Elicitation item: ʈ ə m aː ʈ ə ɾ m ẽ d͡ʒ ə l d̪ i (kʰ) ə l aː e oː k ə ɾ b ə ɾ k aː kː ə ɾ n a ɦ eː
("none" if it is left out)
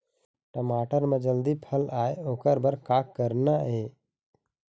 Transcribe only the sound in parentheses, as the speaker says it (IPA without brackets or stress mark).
pʰ